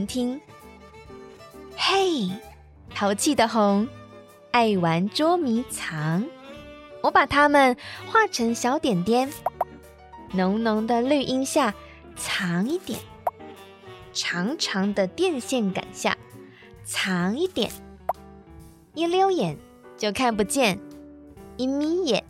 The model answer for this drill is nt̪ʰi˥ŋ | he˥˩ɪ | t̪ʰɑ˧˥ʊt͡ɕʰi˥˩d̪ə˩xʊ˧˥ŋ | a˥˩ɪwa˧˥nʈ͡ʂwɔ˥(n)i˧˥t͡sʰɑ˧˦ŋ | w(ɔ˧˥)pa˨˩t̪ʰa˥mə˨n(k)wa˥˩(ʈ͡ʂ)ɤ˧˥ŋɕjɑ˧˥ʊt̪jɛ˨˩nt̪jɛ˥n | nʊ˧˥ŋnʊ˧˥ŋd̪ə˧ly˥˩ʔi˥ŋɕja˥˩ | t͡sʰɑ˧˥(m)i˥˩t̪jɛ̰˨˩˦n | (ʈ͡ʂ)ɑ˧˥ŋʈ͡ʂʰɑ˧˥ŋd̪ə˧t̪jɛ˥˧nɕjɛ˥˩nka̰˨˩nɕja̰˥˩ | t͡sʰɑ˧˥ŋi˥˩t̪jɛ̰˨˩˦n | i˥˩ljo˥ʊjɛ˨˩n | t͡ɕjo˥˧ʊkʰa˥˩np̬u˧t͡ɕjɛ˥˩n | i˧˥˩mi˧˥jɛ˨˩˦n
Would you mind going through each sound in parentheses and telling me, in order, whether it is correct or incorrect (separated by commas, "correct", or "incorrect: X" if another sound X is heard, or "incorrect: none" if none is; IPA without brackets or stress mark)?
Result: incorrect: m, correct, incorrect: x, incorrect: ʈ͡ʂʰ, incorrect: ŋ, incorrect: ʈ͡ʂʰ